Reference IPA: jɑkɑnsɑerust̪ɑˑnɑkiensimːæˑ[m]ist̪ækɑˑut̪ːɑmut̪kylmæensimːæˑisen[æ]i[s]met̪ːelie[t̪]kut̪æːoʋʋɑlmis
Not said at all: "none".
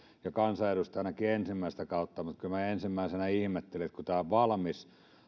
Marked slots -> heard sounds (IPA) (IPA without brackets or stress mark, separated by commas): none, æ, h, t̪